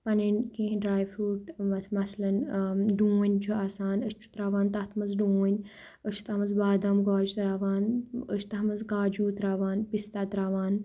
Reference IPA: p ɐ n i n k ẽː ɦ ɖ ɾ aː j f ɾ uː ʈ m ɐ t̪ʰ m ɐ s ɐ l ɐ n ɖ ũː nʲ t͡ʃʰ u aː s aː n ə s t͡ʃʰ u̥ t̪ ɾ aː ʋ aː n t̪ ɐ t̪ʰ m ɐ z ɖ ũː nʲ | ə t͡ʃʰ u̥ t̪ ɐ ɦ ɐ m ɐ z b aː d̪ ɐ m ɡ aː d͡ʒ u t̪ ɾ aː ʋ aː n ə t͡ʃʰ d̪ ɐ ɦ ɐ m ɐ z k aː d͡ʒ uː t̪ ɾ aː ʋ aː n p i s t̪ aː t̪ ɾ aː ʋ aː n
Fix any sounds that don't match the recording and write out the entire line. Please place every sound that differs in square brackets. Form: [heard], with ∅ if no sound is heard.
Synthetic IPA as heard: p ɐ n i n k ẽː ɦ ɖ ɾ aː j f ɾ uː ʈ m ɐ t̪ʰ m ɐ s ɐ l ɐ n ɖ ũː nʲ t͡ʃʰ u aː s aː n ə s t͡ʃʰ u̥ t̪ ɾ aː ʋ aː n t̪ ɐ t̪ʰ m ɐ z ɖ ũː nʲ | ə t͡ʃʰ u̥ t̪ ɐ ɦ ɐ m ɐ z b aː d̪ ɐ m ɡ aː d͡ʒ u t̪ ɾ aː ʋ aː n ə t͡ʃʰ [t̪] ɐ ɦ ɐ m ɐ z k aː d͡ʒ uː t̪ ɾ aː ʋ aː n p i s t̪ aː t̪ ɾ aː ʋ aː n